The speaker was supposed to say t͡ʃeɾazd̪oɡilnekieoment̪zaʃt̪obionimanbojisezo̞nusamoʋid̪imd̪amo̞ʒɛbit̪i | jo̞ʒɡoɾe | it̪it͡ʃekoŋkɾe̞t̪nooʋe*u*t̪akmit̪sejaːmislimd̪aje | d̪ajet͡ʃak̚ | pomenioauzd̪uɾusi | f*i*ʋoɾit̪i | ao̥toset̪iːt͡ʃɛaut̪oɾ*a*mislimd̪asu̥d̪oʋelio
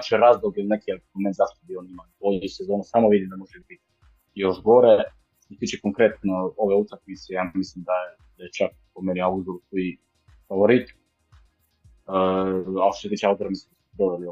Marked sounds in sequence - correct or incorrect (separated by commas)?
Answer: correct, incorrect, correct